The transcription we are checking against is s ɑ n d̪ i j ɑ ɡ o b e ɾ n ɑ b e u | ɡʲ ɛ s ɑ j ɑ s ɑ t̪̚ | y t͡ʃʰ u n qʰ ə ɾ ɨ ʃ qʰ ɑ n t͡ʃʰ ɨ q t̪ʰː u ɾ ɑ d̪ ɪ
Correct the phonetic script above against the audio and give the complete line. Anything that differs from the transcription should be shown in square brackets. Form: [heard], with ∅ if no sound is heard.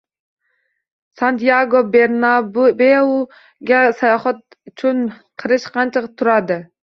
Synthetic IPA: s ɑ n [t̪] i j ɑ ɡ o b e ɾ n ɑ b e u | ɡʲ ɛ s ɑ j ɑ [χ] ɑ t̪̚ | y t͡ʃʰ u n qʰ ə ɾ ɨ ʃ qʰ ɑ n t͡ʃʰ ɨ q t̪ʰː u ɾ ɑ d̪ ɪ